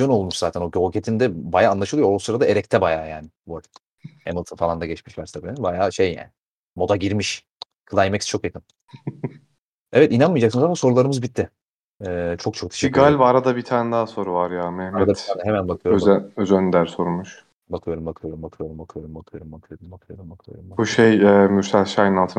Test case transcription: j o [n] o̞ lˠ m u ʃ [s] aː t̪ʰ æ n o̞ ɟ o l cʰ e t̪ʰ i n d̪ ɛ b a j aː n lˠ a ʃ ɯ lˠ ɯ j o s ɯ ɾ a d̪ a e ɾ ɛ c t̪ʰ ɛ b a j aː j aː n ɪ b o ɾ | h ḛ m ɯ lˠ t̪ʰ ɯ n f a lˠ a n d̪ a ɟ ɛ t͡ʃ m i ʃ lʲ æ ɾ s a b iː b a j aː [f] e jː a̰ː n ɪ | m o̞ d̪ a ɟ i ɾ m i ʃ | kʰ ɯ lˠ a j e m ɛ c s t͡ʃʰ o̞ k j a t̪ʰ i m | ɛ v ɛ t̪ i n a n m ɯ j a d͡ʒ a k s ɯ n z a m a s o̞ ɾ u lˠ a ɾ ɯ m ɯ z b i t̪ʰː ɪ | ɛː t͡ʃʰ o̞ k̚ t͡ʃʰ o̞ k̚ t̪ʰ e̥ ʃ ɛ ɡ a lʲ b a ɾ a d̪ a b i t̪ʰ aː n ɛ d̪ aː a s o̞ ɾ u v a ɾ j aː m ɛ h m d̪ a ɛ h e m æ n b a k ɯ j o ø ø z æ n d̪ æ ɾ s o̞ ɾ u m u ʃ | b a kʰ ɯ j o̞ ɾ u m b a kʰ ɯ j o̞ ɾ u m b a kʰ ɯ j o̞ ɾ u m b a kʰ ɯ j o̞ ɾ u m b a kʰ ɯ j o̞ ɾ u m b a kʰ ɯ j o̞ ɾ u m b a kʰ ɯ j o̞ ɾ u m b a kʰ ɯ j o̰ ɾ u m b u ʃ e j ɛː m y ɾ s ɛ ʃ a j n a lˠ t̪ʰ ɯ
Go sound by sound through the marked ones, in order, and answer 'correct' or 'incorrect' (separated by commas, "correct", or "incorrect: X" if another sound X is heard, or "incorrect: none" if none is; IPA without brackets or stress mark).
correct, incorrect: z, incorrect: ʃ